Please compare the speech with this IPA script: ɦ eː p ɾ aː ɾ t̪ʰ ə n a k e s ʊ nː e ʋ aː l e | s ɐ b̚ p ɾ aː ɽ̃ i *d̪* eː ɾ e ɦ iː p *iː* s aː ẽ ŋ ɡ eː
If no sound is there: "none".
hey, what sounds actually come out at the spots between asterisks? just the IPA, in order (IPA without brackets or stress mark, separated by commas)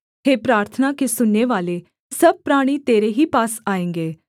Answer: t̪, aː